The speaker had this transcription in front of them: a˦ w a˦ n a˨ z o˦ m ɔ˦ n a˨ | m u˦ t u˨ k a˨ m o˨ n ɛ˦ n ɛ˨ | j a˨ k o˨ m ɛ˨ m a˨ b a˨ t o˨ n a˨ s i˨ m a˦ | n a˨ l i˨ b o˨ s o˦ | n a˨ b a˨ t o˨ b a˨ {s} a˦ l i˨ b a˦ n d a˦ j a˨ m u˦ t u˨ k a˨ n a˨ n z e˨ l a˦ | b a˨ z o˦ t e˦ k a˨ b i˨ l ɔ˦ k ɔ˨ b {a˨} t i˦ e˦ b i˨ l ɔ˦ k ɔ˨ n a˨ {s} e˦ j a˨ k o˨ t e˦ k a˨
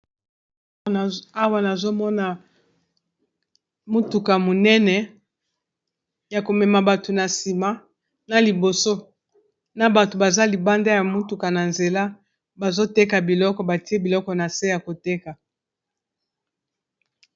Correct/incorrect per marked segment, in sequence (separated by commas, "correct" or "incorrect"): incorrect, correct, correct